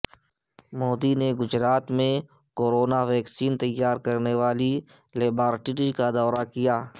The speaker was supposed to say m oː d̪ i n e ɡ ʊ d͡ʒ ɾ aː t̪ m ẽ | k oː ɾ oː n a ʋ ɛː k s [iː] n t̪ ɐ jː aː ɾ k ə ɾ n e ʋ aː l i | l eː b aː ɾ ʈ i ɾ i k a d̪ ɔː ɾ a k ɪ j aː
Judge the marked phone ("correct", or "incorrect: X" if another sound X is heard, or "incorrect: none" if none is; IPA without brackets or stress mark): correct